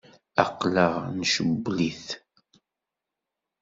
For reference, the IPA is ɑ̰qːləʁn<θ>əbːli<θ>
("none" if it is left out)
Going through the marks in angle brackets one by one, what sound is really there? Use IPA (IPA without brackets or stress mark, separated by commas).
ʃ, θ